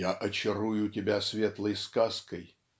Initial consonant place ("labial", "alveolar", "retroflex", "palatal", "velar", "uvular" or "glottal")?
glottal